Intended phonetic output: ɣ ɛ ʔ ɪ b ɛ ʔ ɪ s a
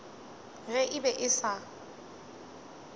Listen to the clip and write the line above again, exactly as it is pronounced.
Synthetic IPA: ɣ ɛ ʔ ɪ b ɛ ʔ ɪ s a